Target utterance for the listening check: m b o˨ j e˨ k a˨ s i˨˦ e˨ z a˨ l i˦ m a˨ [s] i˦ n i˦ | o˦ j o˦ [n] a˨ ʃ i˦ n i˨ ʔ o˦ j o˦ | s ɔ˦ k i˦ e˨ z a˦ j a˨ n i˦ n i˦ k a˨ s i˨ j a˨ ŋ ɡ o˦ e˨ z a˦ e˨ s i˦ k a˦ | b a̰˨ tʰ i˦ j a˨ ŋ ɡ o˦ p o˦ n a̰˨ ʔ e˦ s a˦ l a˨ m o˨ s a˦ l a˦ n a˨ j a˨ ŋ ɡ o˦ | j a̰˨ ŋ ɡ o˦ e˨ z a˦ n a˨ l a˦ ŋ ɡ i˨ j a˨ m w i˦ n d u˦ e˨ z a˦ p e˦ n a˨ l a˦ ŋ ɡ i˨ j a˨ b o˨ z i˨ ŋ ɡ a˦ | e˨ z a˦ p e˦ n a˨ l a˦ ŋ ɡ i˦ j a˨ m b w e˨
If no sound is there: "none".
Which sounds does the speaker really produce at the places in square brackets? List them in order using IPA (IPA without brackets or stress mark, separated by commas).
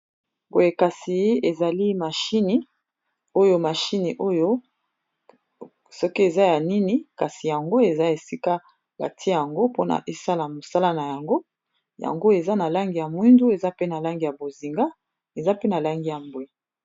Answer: ʃ, m